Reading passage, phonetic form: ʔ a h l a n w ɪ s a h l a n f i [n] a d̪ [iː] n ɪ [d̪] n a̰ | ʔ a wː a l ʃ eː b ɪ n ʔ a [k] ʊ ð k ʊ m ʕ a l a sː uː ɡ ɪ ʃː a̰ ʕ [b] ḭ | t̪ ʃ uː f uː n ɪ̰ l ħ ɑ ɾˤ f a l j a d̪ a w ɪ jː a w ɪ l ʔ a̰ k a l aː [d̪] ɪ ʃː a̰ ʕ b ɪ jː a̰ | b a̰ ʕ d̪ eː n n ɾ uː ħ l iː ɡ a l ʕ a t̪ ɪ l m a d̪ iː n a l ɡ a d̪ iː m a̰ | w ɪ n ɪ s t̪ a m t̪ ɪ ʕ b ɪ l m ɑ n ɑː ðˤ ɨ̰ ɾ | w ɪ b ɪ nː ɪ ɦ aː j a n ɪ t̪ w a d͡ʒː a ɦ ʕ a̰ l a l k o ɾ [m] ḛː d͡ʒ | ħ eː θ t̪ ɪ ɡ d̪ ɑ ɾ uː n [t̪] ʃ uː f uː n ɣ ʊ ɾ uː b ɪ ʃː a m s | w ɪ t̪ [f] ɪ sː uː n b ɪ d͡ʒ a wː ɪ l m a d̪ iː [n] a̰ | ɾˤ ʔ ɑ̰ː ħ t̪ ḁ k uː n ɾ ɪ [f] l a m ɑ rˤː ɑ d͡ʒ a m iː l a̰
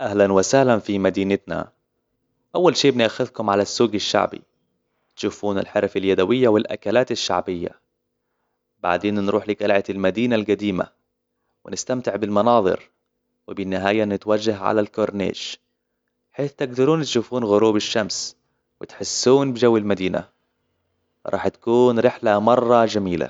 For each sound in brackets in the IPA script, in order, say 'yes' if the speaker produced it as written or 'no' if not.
no, yes, no, no, yes, no, no, yes, no, yes, no

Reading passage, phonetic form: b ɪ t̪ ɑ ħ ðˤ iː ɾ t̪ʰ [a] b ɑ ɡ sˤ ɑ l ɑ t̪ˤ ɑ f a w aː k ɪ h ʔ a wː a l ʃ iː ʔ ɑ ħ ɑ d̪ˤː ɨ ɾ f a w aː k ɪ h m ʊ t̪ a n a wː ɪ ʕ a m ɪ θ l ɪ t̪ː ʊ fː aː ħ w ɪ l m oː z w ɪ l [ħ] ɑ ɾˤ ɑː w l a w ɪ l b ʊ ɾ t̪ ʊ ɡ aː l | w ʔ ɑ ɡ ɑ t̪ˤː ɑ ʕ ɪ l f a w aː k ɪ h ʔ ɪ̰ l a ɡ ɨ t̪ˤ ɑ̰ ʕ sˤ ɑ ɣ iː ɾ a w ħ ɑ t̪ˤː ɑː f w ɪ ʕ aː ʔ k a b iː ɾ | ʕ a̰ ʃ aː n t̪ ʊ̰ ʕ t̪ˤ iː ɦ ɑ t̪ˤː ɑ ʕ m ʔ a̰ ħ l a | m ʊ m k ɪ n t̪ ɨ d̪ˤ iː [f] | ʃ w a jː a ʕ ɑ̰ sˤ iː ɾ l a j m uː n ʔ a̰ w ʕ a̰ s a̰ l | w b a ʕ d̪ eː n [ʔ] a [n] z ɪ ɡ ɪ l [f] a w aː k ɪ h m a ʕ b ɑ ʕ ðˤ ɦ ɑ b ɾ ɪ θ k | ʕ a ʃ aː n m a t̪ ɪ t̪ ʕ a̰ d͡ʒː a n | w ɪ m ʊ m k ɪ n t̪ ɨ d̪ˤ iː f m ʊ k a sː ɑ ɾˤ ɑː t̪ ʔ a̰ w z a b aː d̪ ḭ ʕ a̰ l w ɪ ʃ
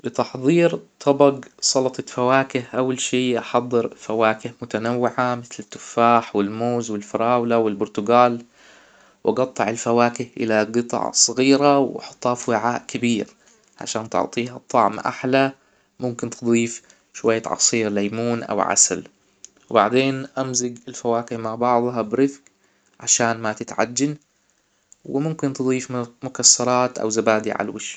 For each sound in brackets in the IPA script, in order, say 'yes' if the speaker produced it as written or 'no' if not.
no, no, yes, yes, no, yes

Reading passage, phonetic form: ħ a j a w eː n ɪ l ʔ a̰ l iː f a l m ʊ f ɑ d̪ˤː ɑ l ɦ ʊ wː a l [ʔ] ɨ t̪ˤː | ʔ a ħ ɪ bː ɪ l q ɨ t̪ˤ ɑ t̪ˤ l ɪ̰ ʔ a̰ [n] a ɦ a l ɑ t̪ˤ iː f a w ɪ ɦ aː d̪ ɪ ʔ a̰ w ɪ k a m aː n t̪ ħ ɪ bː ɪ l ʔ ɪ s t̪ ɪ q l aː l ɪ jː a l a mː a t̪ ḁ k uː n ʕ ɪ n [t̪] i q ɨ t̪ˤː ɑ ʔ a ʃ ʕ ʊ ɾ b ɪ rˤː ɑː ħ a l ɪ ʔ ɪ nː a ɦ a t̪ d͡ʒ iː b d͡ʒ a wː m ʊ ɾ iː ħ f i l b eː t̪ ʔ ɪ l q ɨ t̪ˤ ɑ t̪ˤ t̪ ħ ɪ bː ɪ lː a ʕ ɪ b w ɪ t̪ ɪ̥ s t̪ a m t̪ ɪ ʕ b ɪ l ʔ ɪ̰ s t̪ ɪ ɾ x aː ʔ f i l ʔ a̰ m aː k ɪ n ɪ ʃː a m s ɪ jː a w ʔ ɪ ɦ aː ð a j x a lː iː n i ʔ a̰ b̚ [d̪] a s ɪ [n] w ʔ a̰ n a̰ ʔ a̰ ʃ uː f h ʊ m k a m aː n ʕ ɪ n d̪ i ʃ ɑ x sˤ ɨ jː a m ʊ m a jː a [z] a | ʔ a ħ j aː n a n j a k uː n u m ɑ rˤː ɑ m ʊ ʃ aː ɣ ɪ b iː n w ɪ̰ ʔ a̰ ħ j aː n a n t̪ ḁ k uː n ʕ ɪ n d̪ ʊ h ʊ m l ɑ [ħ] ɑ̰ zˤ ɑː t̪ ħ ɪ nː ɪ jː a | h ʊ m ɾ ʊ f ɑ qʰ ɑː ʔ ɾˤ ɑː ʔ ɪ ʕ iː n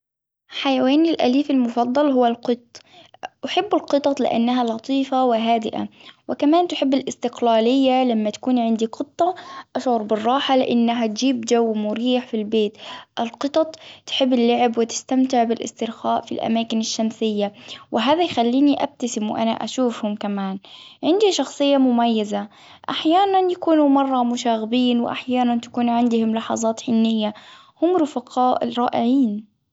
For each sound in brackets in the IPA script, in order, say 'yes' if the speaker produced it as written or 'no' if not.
no, no, no, no, no, yes, yes

